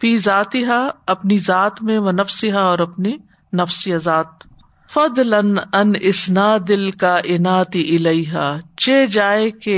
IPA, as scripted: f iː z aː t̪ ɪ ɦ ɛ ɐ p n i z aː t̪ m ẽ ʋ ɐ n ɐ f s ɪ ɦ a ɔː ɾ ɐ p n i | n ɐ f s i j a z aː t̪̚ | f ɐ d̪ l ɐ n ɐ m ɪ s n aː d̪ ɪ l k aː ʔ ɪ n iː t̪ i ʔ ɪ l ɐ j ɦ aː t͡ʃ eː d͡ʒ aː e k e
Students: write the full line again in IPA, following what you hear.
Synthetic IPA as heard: f iː z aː t̪ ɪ ɦ a ɐ p n i z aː t̪ m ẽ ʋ ɐ n ɐ f s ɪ ɦ a ɔː ɾ ɐ p n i | n ɐ f s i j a z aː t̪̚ | f ɐ d̪ l ɐ n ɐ n ɪ s n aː d̪ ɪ l k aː ʔ ɪ n aː t̪ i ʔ ɪ l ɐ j ɦ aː t͡ʃ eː d͡ʒ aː e k e